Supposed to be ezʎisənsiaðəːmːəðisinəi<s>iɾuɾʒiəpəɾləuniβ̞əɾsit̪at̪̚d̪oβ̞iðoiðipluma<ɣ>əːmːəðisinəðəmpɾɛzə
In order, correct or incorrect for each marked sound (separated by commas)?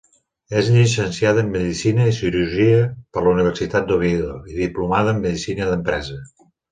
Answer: correct, incorrect